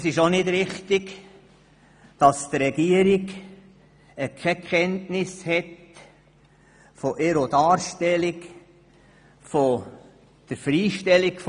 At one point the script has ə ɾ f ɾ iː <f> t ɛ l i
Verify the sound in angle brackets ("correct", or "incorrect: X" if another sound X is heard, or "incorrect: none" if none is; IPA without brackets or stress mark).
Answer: incorrect: ʃ